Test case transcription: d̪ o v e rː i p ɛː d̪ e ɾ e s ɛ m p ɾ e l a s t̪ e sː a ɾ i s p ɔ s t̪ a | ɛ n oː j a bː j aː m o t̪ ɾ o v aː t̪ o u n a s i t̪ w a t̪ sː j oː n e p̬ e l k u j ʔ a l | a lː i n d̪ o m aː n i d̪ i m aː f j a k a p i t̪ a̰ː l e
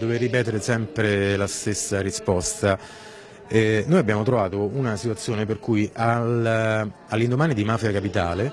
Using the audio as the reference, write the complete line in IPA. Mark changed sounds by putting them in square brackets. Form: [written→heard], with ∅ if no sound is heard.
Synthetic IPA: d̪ o v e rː i p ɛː [d̪→t̪] e ɾ e s ɛ m p ɾ e l a s t̪ e sː a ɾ i s p ɔ s t̪ a | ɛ n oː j a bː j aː m o t̪ ɾ o v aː t̪ o u n a s i t̪ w a t̪ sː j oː n e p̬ e [l→r] k u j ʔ a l | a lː i n d̪ o m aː n i d̪ i m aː f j a k a p i t̪ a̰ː l e